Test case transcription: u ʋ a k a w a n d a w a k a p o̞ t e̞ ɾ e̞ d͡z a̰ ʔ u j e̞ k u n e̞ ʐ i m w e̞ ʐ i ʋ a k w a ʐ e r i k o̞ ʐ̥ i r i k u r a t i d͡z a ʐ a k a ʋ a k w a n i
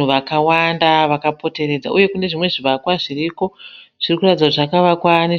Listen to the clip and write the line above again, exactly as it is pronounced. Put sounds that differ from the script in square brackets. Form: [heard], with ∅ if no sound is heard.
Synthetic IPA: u ʋ a k a w a n d a [ʋ] a k a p o̞ t e̞ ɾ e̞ d͡z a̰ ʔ u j e̞ k u n e̞ ʐ i m w e̞ ʐ i ʋ a k w a ʐ [i] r i k o̞ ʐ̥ i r i k u r a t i d͡z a ʐ a k a ʋ a k w a n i